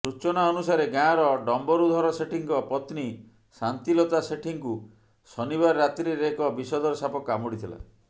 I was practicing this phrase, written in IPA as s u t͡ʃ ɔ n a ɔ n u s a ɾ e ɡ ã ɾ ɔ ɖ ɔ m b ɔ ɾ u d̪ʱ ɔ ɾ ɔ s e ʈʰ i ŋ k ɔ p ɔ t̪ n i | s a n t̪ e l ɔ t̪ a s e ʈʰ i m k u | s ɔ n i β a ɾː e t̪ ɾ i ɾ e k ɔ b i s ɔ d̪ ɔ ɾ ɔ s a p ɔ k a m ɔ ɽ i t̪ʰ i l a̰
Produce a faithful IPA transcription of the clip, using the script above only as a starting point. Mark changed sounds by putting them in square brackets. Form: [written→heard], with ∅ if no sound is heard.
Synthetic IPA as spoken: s u t͡ʃ ɔ n a ɔ n u s a ɾ e ɡ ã ɾ ɔ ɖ ɔ m b ɔ ɾ u d̪ʱ ɔ ɾ ɔ s e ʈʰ i ŋ k ɔ p ɔ t̪ n i | s a n t̪ [e→i] l ɔ t̪ a s e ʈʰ i [m→ŋ] k u | s ɔ n i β a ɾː [e→a] t̪ ɾ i ɾ e k ɔ b i s ɔ d̪ ɔ ɾ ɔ s a p ɔ k a m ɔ ɽ i t̪ʰ i l a̰